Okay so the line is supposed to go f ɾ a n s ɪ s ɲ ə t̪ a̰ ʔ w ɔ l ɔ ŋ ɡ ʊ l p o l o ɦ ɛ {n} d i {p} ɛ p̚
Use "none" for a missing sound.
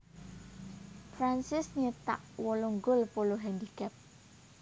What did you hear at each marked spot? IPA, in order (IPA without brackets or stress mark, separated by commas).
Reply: n, k